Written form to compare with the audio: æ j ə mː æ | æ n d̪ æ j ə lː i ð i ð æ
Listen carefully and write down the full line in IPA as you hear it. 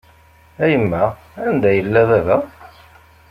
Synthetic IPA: æ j ə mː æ | æ n d̪ æ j ə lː æ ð æ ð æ